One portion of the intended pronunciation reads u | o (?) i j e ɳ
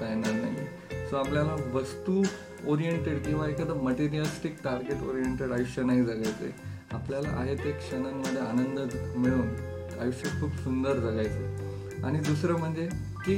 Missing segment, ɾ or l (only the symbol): ɾ